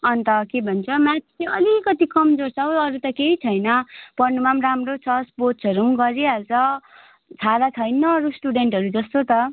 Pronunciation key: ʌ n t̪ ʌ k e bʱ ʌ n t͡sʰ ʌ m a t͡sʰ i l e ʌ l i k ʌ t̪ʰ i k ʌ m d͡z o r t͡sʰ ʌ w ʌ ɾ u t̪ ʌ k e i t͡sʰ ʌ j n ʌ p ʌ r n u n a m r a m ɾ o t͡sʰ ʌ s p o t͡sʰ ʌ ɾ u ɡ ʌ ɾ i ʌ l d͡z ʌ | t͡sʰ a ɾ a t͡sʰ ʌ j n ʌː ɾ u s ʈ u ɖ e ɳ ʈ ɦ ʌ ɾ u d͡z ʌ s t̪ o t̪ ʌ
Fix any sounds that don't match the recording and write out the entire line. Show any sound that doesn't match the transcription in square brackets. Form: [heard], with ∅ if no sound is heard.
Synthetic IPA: ʌ n t̪ ʌ k e bʱ ʌ n t͡sʰ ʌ m a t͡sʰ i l e ʌ l i k ʌ [t̪] i k ʌ m d͡z o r t͡sʰ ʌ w ʌ ɾ u t̪ ʌ k e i t͡sʰ ʌ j n ʌ p ʌ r n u [m] a m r a m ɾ o t͡sʰ ʌ s p o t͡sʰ ʌ ɾ u ɡ ʌ ɾ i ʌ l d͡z ʌ | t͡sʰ a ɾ a t͡sʰ ʌ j n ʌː ɾ u s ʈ u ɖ e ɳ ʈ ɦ ʌ ɾ u d͡z ʌ s t̪ o t̪ ʌ